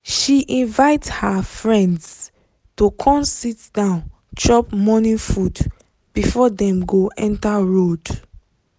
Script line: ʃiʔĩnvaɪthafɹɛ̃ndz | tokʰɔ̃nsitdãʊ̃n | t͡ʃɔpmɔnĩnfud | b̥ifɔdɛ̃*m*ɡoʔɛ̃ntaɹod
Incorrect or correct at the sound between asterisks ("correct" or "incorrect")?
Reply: correct